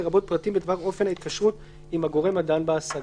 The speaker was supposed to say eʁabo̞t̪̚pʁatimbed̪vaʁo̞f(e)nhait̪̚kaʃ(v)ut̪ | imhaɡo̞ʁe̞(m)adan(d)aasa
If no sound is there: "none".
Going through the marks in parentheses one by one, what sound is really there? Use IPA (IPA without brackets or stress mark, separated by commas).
e, ʁ, m, b